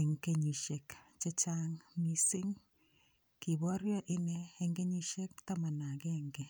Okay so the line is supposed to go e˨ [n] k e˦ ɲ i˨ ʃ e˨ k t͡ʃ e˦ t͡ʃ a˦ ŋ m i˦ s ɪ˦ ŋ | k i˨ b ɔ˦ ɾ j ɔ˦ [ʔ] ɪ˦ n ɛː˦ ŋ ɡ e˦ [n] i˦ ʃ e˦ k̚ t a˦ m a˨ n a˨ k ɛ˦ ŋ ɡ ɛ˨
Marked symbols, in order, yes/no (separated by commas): no, yes, no